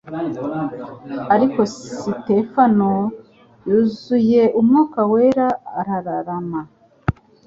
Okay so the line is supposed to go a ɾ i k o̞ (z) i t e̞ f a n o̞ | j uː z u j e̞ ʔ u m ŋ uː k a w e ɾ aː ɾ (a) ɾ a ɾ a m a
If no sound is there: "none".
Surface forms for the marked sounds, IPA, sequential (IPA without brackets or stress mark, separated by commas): s, a